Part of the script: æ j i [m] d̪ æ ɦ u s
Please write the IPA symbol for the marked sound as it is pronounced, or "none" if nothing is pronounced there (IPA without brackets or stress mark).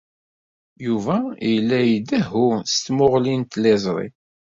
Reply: none